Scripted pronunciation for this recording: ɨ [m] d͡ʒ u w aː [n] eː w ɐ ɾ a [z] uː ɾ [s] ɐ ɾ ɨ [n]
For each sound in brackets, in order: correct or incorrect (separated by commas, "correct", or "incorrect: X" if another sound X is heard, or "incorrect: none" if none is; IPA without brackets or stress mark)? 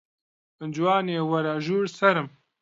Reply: incorrect: n, correct, incorrect: ʒ, correct, incorrect: m